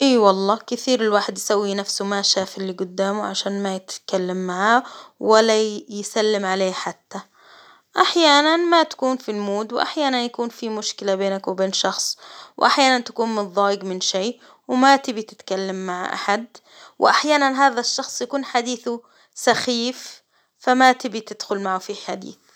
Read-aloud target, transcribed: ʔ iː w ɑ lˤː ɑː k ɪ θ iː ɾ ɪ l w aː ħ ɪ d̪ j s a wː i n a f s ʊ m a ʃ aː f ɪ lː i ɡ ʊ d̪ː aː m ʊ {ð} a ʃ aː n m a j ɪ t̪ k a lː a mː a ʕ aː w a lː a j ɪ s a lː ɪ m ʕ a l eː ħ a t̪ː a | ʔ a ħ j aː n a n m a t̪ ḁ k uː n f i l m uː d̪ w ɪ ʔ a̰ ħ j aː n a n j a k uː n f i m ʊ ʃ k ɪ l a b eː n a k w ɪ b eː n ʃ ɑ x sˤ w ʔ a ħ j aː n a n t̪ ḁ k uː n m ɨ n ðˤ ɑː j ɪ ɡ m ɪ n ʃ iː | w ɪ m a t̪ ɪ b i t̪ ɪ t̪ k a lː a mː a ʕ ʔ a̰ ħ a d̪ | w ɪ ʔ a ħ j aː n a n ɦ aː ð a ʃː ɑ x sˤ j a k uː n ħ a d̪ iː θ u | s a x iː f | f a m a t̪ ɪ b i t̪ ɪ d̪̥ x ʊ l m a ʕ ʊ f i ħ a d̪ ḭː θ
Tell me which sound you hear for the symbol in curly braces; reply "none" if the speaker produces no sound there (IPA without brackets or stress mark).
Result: ʕ